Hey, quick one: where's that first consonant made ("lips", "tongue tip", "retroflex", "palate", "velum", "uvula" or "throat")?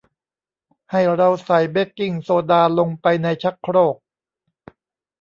throat